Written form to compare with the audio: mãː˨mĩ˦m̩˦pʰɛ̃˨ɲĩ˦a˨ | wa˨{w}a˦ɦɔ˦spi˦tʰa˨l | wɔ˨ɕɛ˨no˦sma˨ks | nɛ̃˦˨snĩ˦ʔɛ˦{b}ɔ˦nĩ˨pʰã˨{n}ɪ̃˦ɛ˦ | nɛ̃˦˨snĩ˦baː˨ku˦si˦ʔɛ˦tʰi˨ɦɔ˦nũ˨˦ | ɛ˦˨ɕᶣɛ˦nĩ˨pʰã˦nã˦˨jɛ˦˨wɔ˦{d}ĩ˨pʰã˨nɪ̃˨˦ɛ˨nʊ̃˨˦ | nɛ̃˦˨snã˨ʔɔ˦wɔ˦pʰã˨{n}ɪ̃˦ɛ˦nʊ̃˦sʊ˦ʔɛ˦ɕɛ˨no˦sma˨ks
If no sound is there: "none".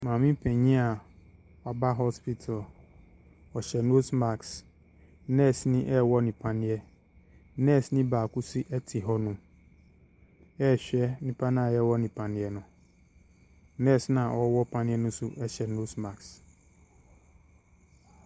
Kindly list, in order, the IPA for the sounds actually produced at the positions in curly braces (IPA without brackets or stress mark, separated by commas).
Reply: b, w, n, n, n